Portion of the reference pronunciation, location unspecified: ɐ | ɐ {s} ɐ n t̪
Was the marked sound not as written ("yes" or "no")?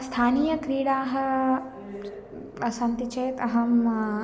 no